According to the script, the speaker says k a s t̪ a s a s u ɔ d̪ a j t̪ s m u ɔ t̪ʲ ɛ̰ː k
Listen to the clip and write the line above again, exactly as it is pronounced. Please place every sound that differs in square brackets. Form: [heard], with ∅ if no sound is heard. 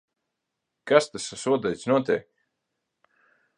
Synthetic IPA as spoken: k a s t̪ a s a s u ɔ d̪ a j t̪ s [n] u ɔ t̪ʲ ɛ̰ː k